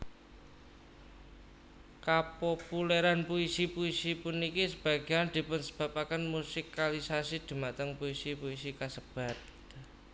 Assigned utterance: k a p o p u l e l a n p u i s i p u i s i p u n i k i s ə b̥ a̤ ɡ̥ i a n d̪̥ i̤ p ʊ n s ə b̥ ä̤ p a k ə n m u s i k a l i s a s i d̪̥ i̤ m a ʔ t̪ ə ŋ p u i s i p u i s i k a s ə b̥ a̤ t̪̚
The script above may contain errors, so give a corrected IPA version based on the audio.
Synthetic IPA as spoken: k a p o p u l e ɾ a n p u i s i p u i s i p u n i k i s ə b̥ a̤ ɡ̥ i a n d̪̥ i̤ p ʊ n s ə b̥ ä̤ p a k ə n m u s i k a l i s a s i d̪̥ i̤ m a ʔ t̪ ə ŋ p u i s i p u i s i k a s ə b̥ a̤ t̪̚